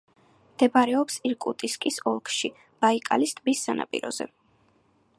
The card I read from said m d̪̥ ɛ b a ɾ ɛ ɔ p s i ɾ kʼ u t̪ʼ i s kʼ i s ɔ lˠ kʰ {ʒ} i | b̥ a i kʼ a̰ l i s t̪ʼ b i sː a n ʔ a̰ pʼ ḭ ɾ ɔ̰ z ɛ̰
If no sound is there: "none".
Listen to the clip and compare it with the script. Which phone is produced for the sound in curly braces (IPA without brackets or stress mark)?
ʃ